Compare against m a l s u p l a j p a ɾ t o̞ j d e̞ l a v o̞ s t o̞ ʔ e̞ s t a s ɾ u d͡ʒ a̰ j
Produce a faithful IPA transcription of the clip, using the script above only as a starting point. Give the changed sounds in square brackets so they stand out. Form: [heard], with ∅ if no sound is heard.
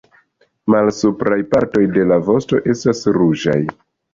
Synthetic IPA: m a l s u p [ɾ] a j p a ɾ t o̞ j d e̞ l a v o̞ s t o̞ ʔ e̞ s t a s ɾ u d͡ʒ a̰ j